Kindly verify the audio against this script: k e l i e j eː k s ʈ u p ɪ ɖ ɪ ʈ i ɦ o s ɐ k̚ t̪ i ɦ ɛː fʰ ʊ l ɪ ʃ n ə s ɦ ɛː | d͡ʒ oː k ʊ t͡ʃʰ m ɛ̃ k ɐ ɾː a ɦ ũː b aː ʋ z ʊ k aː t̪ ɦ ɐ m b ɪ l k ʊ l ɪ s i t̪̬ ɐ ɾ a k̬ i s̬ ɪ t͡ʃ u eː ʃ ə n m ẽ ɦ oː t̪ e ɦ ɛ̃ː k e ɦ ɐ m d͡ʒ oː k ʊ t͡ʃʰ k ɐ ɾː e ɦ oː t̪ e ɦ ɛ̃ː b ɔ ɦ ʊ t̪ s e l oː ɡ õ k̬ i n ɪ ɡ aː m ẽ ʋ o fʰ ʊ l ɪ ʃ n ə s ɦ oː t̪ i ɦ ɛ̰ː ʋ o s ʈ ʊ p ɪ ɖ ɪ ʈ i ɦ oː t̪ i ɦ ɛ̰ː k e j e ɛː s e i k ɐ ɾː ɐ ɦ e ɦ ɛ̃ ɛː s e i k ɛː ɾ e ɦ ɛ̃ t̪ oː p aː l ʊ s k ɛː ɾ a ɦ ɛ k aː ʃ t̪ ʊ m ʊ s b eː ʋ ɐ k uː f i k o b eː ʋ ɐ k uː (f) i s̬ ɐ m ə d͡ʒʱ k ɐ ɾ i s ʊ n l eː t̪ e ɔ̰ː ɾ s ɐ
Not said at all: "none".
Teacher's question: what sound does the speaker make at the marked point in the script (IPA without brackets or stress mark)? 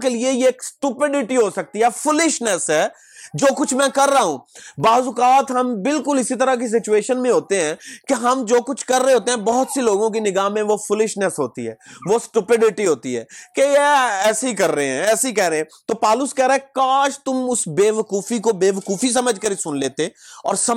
f